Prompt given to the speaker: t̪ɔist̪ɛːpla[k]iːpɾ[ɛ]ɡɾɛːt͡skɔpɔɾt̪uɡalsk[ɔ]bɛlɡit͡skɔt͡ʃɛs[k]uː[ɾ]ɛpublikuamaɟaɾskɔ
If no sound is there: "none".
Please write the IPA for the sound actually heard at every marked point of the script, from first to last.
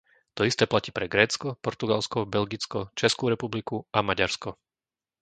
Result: c, ɛ, ɔ, k, ɾ

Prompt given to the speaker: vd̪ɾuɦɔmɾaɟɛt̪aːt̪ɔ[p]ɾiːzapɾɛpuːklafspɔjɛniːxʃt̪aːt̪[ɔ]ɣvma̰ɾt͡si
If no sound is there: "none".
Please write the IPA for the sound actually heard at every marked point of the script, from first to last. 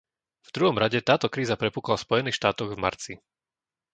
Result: k, ɔ

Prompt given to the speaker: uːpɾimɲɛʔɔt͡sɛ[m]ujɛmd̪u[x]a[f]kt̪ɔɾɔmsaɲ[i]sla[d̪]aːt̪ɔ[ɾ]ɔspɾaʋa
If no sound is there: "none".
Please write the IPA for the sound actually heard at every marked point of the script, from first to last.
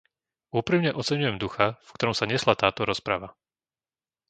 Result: ɲ, x, f, ɛ, t̪, ɾ

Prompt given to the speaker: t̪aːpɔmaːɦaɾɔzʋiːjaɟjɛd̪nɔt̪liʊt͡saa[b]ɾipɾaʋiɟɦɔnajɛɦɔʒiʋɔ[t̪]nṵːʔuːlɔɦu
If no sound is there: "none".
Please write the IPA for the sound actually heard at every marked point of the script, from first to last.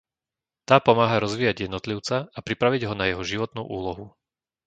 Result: p, t̪

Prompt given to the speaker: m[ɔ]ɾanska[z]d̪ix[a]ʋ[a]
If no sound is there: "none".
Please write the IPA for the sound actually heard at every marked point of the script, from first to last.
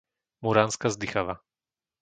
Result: u, z, a, a

